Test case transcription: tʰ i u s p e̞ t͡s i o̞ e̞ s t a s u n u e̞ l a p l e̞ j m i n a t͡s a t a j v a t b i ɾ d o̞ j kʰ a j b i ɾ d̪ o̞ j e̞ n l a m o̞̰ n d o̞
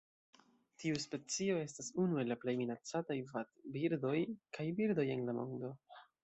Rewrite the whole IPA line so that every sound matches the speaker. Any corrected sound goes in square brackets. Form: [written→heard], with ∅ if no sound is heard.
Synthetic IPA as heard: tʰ i u s p e̞ t͡s i o̞ e̞ s t a s u n u e̞ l a p l e̞ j m i n a t͡s a t a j v a t b i ɾ d o̞ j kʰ a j b i ɾ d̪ o̞ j e̞ n l a m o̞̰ n d o̞